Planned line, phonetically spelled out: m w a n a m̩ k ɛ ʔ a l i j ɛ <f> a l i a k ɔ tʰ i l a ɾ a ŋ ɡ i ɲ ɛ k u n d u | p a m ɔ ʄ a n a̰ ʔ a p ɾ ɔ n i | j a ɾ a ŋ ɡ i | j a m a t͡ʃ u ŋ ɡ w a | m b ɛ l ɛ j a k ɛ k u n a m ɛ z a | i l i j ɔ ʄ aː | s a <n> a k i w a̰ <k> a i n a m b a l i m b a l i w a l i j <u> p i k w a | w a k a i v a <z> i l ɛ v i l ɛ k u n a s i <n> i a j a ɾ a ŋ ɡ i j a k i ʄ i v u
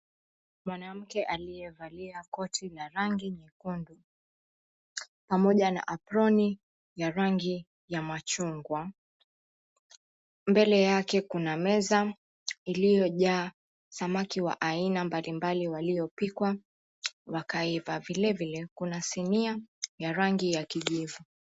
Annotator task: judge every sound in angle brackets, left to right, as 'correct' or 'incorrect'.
incorrect, incorrect, incorrect, incorrect, incorrect, correct

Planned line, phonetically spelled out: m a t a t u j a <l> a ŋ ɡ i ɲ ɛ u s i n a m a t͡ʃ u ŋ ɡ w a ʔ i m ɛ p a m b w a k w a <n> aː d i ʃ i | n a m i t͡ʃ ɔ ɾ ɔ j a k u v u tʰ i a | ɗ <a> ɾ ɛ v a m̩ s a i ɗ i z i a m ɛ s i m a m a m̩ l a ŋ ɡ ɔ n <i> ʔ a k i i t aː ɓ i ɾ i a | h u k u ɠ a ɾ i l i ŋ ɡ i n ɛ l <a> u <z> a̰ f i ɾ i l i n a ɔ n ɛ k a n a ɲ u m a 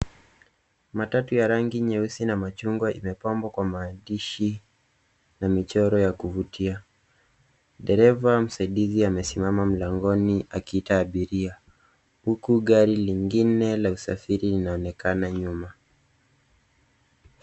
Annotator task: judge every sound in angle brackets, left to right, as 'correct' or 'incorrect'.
incorrect, incorrect, incorrect, correct, correct, incorrect

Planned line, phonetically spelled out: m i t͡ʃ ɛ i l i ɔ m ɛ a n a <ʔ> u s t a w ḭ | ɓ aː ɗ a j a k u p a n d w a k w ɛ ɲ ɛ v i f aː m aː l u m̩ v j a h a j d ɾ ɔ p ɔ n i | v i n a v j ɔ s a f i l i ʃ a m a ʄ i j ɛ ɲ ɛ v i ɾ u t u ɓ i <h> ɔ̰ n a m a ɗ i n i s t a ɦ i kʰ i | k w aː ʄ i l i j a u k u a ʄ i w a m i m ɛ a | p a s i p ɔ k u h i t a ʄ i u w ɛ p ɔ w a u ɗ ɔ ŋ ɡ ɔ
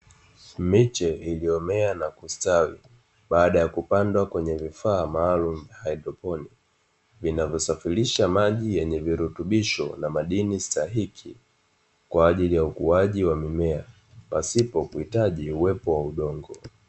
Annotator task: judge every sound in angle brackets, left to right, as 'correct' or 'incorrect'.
incorrect, incorrect

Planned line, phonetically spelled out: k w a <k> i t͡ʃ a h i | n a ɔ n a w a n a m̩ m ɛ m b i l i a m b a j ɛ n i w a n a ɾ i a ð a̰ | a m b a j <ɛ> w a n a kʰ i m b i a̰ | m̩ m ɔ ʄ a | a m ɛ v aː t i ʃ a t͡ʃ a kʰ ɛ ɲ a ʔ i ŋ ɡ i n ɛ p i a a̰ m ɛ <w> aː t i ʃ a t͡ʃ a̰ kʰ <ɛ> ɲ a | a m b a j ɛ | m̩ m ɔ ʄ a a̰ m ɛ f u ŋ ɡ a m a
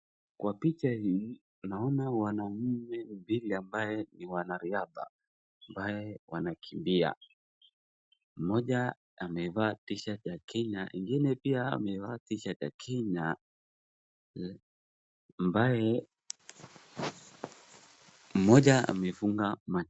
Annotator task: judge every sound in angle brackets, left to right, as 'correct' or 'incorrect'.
incorrect, correct, incorrect, correct

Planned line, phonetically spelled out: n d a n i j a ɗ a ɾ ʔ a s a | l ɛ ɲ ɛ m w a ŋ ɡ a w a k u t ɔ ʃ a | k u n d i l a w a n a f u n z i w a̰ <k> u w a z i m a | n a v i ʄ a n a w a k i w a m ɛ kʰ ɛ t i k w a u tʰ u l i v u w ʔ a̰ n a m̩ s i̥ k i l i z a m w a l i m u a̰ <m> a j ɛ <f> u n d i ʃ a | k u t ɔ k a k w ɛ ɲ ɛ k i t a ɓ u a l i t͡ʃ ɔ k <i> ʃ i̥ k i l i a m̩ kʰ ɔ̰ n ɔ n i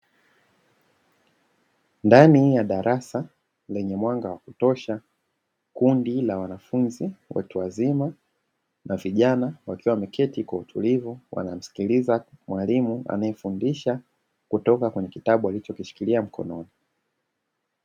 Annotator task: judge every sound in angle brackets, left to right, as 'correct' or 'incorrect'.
incorrect, incorrect, correct, correct

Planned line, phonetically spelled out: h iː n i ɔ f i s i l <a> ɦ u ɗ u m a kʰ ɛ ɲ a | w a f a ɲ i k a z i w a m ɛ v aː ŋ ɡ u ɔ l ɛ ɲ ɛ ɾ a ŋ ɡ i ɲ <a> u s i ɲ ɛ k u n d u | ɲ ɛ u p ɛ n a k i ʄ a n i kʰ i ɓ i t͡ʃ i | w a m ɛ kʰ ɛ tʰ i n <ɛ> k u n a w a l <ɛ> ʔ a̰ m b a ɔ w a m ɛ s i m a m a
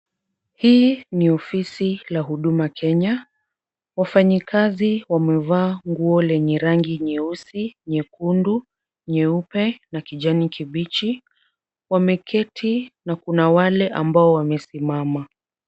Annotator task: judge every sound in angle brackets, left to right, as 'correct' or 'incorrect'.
correct, incorrect, incorrect, correct

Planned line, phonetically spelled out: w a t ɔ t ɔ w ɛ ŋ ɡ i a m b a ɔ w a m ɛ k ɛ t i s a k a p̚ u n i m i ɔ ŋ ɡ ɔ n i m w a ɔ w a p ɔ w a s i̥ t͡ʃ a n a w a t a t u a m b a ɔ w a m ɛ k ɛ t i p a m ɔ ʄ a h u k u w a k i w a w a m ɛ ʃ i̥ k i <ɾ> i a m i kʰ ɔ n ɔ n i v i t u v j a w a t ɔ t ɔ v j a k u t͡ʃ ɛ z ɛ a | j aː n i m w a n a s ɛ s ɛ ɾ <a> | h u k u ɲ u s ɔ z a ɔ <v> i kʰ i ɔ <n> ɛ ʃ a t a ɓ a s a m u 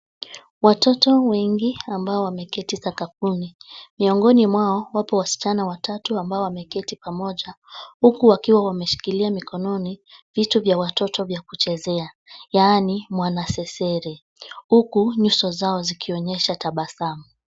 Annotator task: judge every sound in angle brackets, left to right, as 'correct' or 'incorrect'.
incorrect, incorrect, incorrect, incorrect

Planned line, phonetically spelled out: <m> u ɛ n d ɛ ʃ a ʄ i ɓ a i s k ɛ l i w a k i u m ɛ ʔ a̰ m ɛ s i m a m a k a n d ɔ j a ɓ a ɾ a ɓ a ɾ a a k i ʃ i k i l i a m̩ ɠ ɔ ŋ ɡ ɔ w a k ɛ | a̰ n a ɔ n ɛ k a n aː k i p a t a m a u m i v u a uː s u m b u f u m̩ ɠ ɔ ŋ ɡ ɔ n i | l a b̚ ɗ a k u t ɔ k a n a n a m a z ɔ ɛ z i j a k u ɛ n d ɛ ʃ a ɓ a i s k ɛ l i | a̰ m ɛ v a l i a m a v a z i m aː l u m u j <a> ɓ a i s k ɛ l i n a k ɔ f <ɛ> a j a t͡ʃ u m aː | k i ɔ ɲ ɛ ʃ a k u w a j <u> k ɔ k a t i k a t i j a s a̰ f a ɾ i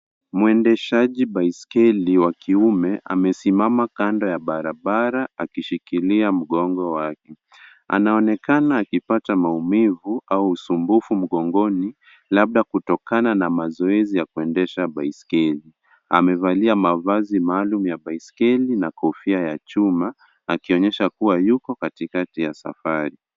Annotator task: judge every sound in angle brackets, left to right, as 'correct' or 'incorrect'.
correct, correct, incorrect, correct

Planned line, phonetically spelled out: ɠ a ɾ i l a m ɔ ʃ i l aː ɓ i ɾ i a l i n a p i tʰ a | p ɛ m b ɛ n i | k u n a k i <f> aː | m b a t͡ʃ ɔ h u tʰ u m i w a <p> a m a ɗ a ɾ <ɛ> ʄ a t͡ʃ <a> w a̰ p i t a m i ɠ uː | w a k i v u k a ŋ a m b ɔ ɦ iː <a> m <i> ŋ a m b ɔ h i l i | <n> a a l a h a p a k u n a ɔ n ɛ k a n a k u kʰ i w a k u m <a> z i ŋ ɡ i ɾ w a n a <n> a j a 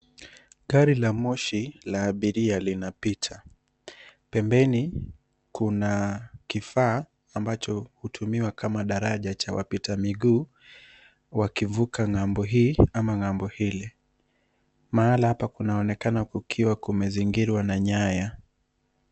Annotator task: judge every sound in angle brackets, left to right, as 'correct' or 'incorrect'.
correct, incorrect, incorrect, correct, correct, incorrect, incorrect, incorrect, incorrect

